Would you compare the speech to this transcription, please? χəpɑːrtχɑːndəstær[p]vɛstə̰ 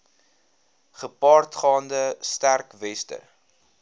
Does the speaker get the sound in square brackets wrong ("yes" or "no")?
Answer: yes